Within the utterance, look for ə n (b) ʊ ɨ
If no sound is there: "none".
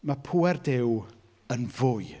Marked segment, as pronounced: v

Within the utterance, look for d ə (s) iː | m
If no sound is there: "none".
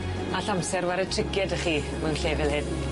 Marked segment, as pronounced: χ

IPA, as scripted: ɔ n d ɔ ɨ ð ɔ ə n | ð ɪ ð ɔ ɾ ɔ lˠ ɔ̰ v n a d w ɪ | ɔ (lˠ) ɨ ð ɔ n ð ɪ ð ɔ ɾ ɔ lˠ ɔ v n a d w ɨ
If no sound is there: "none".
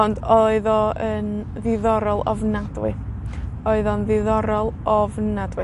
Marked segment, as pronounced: none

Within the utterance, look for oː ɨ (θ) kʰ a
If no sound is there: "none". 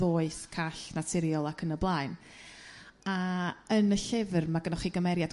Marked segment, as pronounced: θ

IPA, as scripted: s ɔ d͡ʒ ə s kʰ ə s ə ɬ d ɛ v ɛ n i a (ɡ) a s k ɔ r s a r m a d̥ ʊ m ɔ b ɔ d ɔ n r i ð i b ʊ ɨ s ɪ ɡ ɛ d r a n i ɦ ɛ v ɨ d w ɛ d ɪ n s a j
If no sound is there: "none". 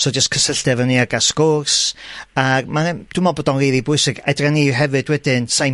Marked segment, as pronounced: ɡ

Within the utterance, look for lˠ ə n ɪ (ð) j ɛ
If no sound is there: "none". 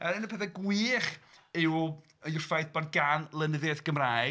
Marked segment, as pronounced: ð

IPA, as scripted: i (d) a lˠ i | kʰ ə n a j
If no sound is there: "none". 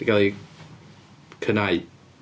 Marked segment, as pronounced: ɡ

